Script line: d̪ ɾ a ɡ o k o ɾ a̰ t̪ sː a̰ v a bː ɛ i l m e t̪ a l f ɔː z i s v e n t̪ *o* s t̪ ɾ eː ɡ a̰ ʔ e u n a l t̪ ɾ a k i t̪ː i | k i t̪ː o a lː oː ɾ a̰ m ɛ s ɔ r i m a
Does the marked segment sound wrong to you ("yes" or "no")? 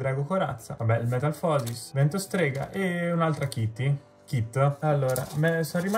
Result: no